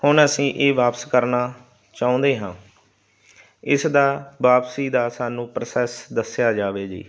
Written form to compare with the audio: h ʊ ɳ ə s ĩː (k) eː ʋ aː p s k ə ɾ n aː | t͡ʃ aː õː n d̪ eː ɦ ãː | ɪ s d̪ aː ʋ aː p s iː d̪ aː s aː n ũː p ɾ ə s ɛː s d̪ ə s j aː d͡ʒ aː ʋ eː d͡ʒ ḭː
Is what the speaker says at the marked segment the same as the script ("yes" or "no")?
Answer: no